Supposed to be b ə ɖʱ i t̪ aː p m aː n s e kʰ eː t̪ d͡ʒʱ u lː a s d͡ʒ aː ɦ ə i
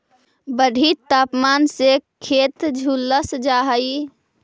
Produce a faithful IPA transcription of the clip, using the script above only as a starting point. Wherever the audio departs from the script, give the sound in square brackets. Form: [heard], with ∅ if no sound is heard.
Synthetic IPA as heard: b ə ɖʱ i t̪ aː p m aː n s e kʰ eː t̪ d͡ʒʱ u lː [ə] s d͡ʒ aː ɦ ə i